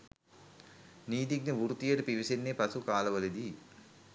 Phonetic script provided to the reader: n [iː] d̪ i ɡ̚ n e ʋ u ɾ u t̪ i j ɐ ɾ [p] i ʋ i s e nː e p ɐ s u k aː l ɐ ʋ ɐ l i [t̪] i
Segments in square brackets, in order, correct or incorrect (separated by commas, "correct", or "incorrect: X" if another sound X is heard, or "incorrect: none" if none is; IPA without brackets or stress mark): correct, correct, incorrect: d̪